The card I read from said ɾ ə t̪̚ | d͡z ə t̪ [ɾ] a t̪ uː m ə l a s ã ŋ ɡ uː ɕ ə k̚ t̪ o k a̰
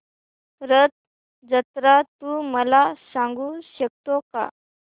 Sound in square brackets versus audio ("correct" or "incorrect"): correct